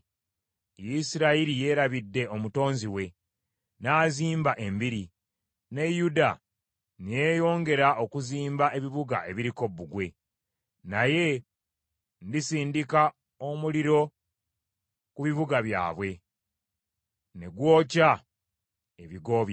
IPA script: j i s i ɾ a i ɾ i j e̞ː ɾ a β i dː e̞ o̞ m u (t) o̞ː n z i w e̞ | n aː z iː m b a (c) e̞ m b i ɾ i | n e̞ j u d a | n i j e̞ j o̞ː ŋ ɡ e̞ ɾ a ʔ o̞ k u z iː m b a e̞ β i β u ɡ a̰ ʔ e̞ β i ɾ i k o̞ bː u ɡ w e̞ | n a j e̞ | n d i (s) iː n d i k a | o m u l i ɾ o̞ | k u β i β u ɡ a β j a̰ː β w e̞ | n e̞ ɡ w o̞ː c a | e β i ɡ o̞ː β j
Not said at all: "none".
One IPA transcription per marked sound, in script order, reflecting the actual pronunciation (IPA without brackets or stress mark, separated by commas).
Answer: t, ʔ, s